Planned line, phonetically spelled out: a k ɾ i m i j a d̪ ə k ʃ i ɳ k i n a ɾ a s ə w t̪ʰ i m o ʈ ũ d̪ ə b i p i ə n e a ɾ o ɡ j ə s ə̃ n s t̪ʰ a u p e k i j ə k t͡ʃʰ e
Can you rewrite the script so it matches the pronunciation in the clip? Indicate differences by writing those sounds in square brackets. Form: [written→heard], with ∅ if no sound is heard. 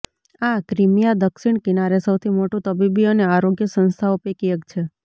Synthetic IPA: a k ɾ i m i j a d̪ ə k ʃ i ɳ k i n a ɾ [a→e] s ə w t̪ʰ i m o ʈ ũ [d̪→t̪] ə b i [p→b] i ə n e a ɾ o ɡ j ə s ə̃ n s t̪ʰ a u p e k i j ə k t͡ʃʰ e